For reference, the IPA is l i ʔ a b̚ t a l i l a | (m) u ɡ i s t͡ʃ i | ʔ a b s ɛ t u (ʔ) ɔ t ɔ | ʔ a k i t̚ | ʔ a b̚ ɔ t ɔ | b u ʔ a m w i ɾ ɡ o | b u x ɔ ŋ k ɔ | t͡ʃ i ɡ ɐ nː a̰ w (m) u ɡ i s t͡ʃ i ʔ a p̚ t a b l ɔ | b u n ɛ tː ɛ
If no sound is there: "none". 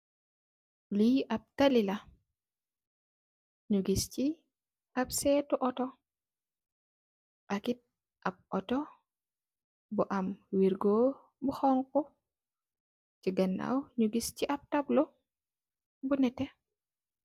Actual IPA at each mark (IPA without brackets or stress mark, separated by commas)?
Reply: ɲ, ʔ, ɲ